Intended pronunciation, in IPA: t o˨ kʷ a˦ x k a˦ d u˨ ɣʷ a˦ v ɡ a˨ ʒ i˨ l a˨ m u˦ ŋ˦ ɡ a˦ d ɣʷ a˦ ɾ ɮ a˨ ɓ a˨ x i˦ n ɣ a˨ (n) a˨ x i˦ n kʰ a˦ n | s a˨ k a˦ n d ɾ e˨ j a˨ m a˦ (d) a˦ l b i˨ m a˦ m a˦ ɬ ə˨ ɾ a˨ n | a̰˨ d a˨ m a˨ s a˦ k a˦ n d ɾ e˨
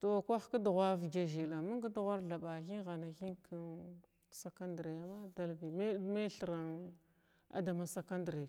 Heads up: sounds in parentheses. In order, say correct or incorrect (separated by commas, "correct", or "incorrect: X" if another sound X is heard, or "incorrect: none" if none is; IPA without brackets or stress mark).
correct, correct